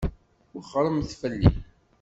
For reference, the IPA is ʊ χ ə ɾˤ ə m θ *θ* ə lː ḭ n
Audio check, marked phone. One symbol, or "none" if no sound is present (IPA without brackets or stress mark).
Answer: f